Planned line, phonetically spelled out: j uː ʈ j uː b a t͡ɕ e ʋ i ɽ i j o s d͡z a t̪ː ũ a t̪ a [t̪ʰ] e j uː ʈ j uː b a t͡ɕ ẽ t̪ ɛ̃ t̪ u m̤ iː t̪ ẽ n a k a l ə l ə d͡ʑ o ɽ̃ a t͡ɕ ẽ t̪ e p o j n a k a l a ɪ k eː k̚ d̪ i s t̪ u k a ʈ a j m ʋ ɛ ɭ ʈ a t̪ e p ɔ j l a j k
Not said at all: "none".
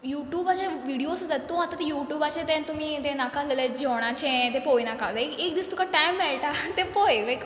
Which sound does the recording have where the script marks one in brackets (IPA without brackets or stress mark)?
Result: t̪